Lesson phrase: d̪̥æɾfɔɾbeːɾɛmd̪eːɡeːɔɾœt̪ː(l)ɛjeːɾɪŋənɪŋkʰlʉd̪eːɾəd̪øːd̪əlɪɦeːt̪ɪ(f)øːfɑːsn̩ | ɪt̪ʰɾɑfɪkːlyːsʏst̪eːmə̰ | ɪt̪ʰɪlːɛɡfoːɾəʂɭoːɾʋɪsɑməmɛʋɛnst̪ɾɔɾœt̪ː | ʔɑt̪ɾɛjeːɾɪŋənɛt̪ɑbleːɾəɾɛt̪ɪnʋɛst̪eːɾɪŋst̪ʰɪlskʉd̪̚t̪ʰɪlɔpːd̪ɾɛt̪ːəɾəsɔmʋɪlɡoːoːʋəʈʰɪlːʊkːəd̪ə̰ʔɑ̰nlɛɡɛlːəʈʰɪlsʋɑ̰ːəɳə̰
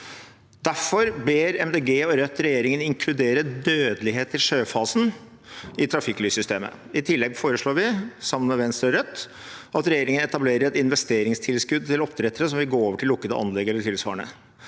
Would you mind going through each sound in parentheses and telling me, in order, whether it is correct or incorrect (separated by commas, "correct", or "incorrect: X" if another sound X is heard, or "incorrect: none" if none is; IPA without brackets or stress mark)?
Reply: incorrect: ɾ, incorrect: ʂ